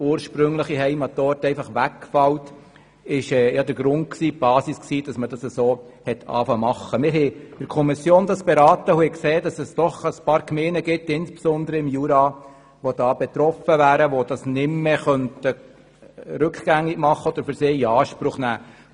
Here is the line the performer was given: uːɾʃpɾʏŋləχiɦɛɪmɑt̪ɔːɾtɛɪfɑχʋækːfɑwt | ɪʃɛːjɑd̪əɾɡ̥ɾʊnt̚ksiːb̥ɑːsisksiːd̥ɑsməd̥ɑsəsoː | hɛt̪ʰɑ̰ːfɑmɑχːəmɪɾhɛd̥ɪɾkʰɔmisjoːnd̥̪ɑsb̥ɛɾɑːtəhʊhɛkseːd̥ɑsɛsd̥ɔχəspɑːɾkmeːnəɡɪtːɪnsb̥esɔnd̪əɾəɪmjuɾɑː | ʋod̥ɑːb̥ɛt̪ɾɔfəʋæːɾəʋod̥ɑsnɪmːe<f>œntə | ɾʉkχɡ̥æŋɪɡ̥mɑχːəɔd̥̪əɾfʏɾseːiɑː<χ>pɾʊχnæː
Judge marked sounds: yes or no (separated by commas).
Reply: no, no